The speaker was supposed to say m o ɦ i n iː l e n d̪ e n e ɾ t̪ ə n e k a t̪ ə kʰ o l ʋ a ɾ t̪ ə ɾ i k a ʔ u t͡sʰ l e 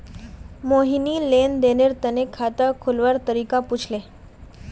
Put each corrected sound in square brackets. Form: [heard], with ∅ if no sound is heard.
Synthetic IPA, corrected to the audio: m o ɦ i n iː l e n d̪ e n e ɾ t̪ ə n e [kʰ] a t̪ ə kʰ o l ʋ a ɾ t̪ ə ɾ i k a [p] u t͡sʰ l e